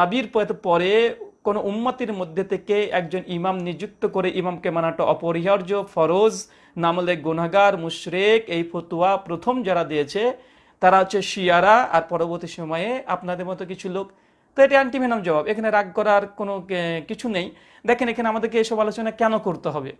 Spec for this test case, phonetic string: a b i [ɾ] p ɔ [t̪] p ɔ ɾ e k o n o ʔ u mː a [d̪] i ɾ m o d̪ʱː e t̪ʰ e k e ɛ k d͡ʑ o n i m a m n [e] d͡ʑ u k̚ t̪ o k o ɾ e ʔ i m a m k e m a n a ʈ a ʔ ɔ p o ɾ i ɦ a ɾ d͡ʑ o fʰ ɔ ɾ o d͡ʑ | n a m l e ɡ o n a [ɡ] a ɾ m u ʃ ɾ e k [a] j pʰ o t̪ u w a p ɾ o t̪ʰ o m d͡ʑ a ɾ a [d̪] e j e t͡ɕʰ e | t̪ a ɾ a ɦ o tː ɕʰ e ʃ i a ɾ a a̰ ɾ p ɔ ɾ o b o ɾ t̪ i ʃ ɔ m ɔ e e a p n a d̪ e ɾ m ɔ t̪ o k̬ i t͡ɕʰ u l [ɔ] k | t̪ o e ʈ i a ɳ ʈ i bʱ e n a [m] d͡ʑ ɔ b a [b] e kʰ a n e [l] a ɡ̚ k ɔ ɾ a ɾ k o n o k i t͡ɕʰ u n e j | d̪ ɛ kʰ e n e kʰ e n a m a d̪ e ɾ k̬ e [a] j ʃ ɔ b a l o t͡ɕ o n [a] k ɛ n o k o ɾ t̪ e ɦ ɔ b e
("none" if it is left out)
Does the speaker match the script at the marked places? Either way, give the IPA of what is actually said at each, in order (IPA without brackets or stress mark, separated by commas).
ɾ, t̪, t̪, i, ɡ, e, d̪, o, m, b, ɾ, e, a